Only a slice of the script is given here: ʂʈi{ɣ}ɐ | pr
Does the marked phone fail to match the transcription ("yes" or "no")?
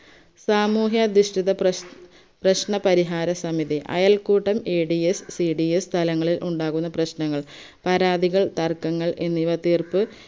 yes